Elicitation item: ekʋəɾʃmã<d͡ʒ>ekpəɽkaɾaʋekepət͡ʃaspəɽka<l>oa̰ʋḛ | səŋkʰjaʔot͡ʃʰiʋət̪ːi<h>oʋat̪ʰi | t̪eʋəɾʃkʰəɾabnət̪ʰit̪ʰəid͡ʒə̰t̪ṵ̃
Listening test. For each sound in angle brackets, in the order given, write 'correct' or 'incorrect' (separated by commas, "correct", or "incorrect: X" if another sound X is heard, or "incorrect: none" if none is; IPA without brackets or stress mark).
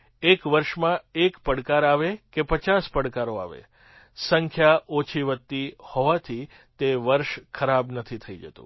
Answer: incorrect: none, incorrect: ɾ, correct